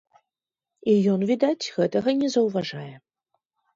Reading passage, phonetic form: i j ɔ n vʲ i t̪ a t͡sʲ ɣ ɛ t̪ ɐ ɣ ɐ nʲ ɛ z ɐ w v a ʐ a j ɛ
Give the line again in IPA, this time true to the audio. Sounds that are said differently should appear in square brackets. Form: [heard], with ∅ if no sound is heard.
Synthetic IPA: i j ɔ n vʲ i [d̪] a t͡sʲ ɣ ɛ t̪ ɐ ɣ ɐ nʲ ɛ z ɐ w v a ʐ a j ɛ